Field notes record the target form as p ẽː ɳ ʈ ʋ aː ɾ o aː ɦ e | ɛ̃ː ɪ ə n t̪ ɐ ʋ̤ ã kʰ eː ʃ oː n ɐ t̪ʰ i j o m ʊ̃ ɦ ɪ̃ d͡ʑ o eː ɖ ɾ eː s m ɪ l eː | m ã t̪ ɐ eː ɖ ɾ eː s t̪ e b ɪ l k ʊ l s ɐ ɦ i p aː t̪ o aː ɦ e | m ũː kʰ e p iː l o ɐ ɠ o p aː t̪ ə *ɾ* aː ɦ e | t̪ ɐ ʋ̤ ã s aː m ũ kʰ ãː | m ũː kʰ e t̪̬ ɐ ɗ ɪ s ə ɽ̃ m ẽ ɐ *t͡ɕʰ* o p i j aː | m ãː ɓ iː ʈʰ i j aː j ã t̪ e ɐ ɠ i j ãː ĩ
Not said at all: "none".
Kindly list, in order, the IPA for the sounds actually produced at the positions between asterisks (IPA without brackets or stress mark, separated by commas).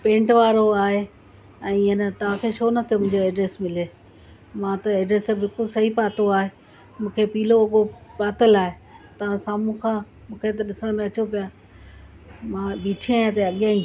l, t͡ɕ